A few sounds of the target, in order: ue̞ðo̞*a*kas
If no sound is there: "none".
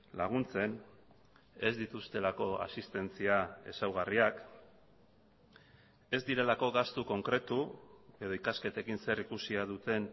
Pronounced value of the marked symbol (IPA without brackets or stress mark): i